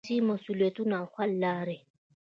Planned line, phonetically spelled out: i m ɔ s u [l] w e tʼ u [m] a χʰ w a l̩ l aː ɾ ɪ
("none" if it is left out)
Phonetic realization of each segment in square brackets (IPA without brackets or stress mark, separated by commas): l, n